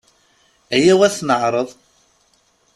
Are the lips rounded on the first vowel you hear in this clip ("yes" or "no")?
no